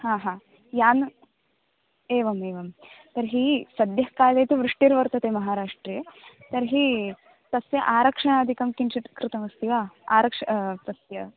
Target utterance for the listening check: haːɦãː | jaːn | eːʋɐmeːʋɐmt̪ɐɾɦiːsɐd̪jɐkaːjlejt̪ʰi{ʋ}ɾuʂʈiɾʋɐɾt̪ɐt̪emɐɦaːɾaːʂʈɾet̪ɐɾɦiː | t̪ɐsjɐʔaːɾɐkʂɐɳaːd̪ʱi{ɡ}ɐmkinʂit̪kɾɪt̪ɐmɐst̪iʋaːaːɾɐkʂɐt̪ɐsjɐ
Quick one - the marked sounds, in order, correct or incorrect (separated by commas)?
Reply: correct, incorrect